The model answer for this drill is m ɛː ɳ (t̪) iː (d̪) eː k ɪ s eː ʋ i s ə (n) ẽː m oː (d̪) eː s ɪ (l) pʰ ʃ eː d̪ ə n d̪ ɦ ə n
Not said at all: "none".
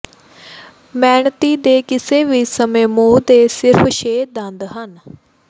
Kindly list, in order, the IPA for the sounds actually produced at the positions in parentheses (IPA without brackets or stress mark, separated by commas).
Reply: t̪, d̪, m, d̪, ɾ